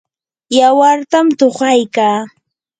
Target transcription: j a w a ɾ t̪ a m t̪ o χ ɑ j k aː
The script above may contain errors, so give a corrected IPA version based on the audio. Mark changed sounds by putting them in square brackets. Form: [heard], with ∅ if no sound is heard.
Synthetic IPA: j a w a ɾ t̪ a m t̪ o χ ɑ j k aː